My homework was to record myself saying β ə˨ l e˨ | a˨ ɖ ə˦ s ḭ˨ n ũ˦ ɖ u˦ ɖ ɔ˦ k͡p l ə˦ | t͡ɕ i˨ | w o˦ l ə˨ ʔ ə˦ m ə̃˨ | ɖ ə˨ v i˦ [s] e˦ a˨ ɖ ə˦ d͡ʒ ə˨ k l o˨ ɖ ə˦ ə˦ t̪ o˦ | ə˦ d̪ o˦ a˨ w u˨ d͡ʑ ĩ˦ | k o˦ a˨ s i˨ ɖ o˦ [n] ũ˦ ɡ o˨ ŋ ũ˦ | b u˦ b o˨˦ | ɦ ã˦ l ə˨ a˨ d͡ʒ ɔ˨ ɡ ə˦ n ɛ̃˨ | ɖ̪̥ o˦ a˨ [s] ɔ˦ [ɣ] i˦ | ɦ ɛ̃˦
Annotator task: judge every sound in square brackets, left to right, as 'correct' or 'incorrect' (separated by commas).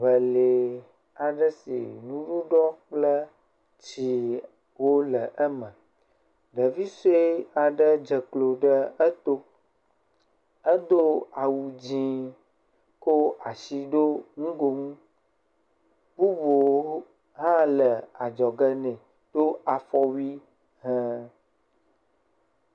correct, incorrect, incorrect, incorrect